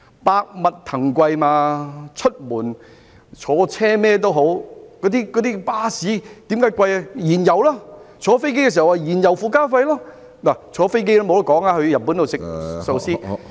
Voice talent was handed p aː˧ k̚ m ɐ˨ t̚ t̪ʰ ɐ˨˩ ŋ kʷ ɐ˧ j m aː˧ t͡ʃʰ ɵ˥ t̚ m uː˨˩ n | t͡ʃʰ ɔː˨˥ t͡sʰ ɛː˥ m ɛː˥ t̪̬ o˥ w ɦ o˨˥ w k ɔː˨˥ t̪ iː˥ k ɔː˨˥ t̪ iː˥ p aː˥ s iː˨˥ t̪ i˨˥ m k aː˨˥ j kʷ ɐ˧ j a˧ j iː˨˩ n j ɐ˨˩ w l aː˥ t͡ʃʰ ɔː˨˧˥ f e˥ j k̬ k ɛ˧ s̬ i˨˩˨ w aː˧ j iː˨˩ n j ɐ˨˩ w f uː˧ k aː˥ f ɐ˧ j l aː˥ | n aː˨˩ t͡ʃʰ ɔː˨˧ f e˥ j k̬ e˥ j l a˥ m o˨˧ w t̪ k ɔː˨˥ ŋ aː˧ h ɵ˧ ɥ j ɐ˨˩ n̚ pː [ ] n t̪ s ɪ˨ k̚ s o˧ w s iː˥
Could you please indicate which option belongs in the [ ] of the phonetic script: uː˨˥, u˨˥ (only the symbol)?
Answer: u˨˥